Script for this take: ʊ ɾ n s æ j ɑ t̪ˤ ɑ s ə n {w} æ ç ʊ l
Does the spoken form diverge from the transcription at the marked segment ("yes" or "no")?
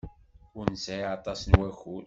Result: no